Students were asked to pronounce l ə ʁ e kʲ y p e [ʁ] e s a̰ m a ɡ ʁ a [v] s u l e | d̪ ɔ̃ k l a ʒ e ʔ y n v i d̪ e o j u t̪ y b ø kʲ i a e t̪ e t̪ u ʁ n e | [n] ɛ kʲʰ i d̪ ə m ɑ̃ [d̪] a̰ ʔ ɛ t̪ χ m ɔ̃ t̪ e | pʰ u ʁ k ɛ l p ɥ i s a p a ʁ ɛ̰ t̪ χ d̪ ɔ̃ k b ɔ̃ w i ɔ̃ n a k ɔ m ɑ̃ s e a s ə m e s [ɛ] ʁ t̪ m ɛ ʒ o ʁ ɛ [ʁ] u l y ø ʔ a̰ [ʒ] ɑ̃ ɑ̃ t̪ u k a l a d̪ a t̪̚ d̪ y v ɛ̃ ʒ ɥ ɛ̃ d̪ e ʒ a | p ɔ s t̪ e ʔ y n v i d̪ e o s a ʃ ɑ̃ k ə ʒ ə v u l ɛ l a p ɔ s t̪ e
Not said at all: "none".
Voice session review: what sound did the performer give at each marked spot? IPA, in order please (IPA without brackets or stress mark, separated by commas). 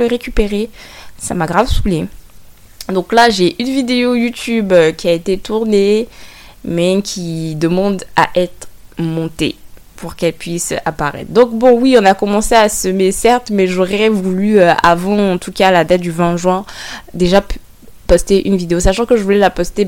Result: ʁ, v, m, d̪, ɛ, v, v